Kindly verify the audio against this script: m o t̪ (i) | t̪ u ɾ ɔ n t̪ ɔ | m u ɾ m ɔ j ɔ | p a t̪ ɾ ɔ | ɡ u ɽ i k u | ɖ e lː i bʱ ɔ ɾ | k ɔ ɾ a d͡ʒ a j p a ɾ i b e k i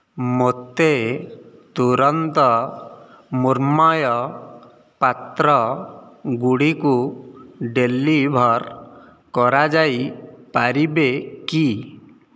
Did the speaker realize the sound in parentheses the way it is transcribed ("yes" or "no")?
no